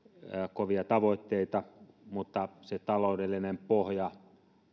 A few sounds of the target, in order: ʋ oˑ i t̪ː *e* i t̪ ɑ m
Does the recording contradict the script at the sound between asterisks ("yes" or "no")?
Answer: no